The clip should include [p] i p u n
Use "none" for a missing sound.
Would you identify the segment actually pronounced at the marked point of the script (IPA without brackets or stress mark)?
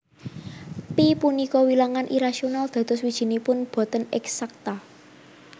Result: p